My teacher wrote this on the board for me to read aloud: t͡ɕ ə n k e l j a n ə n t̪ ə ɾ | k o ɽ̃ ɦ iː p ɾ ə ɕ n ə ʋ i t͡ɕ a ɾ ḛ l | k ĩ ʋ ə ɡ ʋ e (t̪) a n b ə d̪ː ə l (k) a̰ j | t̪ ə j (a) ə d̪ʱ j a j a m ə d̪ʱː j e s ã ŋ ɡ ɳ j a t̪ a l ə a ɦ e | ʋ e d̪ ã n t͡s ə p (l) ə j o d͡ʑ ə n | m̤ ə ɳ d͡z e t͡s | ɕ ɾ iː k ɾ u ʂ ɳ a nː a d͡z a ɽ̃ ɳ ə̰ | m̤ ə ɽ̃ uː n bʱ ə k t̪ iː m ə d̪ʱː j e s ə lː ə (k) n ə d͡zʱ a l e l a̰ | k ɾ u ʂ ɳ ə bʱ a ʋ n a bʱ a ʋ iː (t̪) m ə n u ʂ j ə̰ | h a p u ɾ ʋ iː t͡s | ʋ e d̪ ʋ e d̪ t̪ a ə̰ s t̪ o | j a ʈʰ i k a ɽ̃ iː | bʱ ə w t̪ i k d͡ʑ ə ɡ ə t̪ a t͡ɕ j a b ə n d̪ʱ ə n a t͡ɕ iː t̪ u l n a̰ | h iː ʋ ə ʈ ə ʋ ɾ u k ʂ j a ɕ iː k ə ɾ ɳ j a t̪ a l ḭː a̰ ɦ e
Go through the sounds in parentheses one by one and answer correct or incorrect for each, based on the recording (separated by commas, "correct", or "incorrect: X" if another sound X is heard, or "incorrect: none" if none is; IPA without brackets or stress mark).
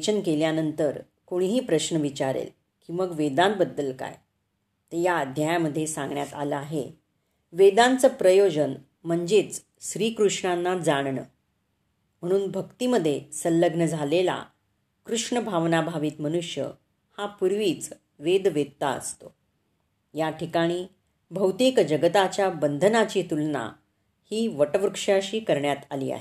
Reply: incorrect: d̪, correct, correct, incorrect: ɾ, incorrect: ɡ, correct